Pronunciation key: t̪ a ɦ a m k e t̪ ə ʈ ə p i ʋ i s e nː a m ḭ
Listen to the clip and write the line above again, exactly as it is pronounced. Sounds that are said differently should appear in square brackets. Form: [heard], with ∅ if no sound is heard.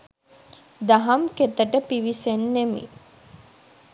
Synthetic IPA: [d̪] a ɦ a m k e t̪ ə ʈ ə p i ʋ i s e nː [e] m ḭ